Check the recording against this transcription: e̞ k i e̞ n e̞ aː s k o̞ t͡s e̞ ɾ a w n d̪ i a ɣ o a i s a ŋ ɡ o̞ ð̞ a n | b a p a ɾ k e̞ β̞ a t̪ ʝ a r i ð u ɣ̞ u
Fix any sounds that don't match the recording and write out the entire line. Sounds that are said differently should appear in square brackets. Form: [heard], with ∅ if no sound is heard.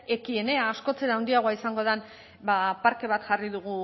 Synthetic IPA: e̞ k i e̞ n e̞ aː s k o̞ t͡s e̞ ɾ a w n d̪ i a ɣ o a i s a ŋ ɡ o̞ ð̞ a n | b a p a ɾ k e̞ β̞ a t̪ ʝ a r i ð u ɣ̞ u